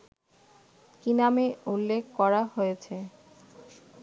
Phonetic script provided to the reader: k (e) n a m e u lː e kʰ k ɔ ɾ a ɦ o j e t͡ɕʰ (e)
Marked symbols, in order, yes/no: no, yes

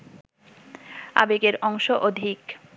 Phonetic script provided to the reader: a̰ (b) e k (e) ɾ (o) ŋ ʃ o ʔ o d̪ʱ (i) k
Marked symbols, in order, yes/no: yes, yes, no, yes

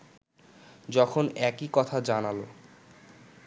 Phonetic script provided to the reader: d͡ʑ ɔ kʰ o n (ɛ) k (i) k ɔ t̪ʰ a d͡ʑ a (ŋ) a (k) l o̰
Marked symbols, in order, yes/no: yes, yes, no, no

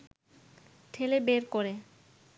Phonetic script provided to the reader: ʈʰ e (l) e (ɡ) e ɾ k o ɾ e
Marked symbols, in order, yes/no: yes, no

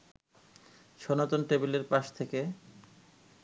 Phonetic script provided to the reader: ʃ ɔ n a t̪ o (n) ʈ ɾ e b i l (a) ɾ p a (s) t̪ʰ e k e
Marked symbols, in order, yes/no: yes, no, no

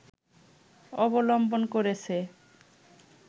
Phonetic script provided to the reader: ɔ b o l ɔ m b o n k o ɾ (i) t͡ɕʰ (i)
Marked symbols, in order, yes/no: no, no

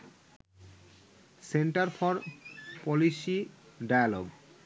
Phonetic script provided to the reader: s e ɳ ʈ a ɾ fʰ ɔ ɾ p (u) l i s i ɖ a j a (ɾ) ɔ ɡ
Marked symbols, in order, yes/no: no, no

